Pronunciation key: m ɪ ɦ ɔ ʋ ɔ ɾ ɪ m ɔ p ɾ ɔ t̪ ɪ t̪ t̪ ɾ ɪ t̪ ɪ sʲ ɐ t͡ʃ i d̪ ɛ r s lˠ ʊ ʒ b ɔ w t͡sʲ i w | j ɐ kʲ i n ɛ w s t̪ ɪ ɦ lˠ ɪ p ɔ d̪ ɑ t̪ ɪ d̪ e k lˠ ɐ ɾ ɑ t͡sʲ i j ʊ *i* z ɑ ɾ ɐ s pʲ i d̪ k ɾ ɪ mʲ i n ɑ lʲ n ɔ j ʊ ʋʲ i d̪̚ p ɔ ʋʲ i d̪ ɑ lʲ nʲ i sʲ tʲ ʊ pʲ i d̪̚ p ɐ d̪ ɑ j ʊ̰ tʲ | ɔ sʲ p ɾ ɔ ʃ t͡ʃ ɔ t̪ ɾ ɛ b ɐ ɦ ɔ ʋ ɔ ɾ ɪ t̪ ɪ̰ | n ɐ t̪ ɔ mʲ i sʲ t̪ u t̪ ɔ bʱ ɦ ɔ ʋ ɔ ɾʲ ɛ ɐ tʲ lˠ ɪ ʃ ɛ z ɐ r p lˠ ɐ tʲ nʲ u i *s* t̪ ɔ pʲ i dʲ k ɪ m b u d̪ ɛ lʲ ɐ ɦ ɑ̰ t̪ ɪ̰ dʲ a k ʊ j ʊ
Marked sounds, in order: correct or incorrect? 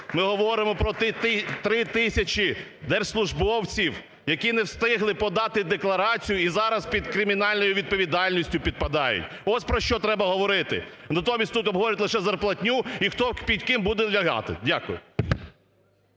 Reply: correct, incorrect: x

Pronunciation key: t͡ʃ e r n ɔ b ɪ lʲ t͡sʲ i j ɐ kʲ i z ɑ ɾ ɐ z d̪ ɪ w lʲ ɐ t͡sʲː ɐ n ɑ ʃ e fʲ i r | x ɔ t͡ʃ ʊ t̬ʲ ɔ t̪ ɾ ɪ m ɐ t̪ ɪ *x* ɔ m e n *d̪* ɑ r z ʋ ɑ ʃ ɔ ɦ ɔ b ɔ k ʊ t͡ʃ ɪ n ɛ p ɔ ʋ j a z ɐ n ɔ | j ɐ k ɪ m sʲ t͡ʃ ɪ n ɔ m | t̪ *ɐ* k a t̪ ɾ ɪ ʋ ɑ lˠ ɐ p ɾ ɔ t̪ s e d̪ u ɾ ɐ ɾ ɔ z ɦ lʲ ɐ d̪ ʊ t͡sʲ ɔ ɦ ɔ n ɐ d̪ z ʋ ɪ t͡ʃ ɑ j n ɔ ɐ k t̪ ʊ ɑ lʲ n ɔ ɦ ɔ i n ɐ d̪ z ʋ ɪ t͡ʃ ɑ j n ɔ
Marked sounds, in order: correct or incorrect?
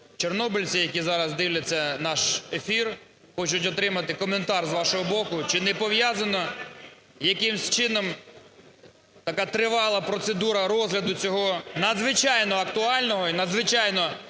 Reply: incorrect: k, incorrect: t̪, correct

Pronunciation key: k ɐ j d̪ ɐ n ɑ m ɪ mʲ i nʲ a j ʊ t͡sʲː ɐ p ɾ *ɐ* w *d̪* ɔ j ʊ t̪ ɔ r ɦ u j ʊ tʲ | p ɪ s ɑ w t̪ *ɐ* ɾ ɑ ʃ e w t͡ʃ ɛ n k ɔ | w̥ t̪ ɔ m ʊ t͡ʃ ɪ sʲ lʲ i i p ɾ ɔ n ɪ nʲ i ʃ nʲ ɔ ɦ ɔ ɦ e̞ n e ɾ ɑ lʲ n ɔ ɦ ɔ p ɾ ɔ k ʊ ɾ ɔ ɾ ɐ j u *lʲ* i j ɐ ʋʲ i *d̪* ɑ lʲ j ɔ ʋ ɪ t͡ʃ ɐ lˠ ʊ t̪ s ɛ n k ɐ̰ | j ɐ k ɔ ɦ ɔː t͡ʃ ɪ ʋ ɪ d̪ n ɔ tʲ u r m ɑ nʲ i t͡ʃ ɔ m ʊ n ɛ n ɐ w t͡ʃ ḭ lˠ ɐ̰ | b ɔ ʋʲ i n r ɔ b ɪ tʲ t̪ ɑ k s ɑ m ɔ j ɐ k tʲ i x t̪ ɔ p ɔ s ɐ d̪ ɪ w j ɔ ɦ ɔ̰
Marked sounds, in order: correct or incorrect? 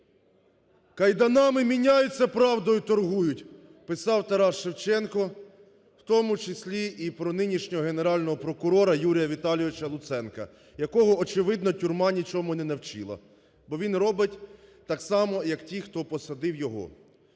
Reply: incorrect: ɑ, correct, correct, incorrect: ɾʲ, incorrect: t̪

